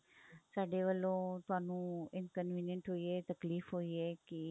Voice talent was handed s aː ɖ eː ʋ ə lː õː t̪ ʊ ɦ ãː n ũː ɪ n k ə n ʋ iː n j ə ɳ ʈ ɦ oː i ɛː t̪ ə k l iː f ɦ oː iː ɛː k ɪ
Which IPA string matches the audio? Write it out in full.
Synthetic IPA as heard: s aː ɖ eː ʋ ə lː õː t̪ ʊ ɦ aː n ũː ɪ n k ə n ʋ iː n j ə ɳ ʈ ɦ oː i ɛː t̪ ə k l iː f ɦ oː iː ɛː k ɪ